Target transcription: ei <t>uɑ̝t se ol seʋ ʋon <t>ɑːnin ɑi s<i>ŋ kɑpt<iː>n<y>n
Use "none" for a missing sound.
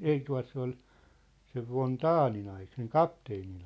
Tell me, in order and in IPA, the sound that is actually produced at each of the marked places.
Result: t, t, e, eː, i

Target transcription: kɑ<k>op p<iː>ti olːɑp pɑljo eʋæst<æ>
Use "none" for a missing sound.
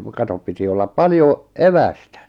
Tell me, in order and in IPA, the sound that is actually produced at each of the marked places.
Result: t, i, æ

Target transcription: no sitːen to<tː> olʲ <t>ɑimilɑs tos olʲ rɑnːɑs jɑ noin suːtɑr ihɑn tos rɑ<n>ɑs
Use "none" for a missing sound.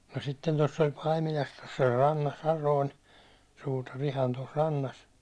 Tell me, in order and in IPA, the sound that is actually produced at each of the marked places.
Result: sː, p, nː

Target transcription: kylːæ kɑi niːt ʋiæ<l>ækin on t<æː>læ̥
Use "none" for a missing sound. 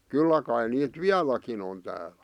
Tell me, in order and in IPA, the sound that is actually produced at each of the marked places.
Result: l, æː

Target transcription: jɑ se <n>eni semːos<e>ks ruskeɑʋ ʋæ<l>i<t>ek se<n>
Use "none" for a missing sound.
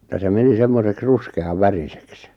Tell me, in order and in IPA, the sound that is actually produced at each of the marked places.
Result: m, e, r, s, none

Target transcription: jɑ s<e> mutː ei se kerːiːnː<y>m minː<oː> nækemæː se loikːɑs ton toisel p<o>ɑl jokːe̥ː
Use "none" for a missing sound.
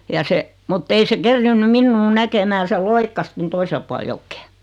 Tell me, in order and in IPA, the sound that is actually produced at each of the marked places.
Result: e, y, uː, u

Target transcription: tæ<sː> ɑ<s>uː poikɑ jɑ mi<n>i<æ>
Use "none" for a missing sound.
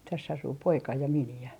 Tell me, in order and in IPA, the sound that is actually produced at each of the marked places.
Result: sː, s, n, æ

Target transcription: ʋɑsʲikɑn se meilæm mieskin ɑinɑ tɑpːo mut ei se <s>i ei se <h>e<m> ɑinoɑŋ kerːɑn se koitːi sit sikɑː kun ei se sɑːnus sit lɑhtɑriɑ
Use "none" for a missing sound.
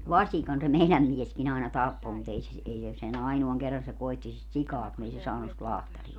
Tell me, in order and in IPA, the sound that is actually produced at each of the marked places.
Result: s, s, n

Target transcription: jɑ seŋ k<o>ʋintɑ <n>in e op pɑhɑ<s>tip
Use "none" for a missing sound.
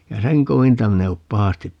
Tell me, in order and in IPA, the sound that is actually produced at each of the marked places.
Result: o, m, s

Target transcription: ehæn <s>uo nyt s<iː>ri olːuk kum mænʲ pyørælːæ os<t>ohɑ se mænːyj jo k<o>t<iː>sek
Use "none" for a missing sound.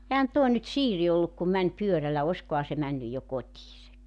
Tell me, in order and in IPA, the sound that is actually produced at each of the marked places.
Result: t, iː, k, o, iː

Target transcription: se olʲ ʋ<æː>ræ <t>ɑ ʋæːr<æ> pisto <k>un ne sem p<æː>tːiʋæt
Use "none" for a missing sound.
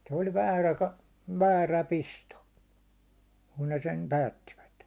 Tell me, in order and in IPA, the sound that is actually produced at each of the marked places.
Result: æː, k, æ, k, æː

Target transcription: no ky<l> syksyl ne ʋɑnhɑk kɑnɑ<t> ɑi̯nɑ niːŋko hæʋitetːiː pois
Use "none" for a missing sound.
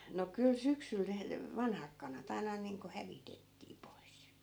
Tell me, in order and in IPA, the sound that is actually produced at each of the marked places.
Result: l, t

